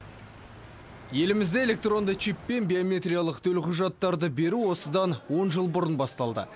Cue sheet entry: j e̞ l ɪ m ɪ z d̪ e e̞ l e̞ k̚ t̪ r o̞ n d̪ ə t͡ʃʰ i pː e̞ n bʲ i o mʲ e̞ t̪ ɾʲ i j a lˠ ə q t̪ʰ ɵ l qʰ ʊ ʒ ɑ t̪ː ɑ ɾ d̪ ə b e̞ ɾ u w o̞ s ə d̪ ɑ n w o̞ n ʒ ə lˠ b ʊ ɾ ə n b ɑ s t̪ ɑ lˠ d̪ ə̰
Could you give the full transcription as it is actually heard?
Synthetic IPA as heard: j e̞ l ɪ m ɪ z d̪ e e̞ l e̞ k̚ t̪ r o̞ n d̪ ə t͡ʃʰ i pː e̞ n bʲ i o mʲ e̞ t̪ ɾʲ i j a lˠ ə q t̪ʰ ɵ l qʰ ʊ ʒ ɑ t̪ː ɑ ɾ d̪ ə b e̞ ɾ u w o̞ s ə d̪ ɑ n w o̞ n ʒ ə lˠ b ʊ ɾ ə n b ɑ s t̪ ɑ lˠ d̪ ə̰